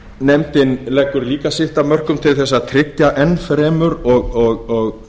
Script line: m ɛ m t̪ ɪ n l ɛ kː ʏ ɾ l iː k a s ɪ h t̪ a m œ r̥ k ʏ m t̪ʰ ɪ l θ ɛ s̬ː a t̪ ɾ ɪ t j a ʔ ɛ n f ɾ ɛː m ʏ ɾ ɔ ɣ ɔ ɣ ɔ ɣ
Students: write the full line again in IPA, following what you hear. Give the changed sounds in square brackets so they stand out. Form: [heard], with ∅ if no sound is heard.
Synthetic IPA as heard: [n] ɛ m t̪ ɪ n l ɛ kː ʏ ɾ l iː k a s ɪ h t̪ a m œ r̥ k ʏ m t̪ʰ ɪ l θ ɛ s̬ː a [t̪ʰ] ɾ ɪ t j a ʔ ɛ n f ɾ ɛː m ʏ ɾ ɔ ɣ ɔ ɣ ɔ ɣ